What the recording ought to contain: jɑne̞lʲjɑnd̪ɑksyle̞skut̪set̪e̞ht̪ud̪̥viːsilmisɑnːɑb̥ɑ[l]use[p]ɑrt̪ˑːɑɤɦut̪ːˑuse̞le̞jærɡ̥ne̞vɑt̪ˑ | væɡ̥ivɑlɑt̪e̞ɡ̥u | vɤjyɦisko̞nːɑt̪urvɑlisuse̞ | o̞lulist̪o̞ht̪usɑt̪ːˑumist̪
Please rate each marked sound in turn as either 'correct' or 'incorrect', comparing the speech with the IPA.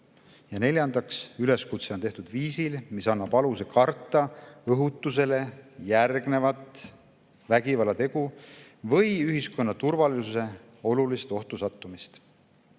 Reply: correct, incorrect: k

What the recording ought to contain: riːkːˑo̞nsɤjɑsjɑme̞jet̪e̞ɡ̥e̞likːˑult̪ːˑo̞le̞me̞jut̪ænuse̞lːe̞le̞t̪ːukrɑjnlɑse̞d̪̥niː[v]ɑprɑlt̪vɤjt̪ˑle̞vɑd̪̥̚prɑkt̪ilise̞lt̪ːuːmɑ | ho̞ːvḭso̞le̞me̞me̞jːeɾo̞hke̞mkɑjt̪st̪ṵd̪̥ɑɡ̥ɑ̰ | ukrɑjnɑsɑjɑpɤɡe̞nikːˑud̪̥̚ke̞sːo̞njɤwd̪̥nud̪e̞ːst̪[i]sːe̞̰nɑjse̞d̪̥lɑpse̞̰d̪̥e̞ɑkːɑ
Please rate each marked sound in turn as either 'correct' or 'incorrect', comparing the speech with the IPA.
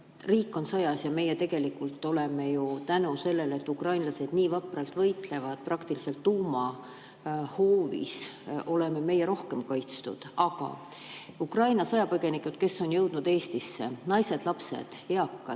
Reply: correct, correct

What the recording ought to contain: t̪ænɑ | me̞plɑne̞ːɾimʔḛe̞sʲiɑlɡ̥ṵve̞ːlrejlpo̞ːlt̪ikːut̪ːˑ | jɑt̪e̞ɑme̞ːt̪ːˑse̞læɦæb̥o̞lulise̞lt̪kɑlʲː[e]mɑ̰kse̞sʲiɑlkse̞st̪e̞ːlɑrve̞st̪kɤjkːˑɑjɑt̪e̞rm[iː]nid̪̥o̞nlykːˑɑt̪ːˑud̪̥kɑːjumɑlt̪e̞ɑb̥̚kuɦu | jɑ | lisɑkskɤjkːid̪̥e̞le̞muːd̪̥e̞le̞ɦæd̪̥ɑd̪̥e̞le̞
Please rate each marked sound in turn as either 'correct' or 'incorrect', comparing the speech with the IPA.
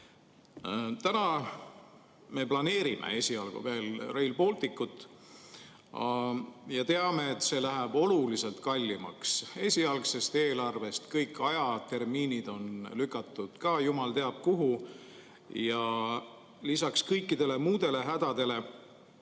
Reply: incorrect: i, correct

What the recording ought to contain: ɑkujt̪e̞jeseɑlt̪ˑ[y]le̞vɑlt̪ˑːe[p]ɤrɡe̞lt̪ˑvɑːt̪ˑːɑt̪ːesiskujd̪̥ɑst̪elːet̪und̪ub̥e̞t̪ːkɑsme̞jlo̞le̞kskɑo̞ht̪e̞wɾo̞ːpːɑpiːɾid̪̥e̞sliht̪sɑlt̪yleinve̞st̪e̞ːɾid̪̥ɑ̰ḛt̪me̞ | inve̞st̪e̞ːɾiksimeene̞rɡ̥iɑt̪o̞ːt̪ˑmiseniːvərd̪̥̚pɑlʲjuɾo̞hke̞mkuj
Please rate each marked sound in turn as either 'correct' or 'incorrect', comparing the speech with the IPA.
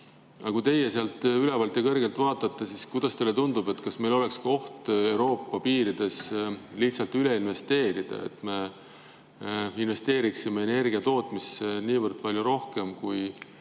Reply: correct, incorrect: k

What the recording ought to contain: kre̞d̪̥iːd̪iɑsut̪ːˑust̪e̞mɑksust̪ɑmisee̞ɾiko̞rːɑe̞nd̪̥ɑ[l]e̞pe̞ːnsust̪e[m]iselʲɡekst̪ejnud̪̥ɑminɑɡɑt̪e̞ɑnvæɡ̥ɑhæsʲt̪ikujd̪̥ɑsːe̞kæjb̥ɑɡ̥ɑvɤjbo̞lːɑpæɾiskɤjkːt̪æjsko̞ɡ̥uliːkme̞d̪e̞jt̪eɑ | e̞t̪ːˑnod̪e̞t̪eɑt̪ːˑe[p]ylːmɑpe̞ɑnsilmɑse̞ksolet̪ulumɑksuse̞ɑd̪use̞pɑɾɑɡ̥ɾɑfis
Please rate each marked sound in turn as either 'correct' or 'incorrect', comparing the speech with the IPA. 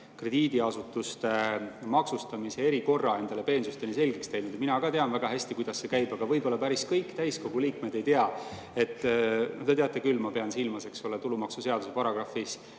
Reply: correct, incorrect: n, incorrect: k

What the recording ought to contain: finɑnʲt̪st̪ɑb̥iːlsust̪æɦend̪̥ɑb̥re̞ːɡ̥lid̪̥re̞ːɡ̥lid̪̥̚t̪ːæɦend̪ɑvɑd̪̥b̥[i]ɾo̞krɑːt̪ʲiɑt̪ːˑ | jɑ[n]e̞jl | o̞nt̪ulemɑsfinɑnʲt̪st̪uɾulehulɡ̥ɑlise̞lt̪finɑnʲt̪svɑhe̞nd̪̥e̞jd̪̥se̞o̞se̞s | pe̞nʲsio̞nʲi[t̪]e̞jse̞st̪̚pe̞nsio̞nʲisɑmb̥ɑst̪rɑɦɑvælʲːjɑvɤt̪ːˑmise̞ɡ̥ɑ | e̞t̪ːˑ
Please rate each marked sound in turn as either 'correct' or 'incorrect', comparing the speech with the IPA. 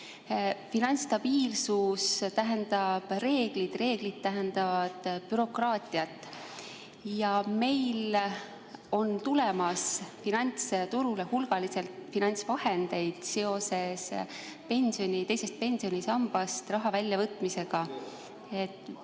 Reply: incorrect: y, incorrect: m, correct

